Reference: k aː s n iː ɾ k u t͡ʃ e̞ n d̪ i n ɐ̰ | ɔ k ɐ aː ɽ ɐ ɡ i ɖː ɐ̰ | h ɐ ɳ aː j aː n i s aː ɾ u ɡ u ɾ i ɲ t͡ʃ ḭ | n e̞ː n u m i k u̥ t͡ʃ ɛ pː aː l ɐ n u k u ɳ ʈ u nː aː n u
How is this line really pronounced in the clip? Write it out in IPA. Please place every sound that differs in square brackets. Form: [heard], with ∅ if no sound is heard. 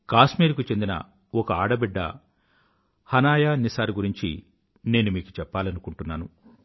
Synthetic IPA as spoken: k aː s [m] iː ɾ k u t͡ʃ e̞ n d̪ i n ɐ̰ | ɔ k ɐ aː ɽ ɐ [b] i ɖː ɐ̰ | h ɐ [n] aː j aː n i s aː ɾ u ɡ u ɾ i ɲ t͡ʃ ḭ | n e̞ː n u m [iː] k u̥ t͡ʃ ɛ pː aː l ɐ n u k u ɳ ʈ u nː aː n u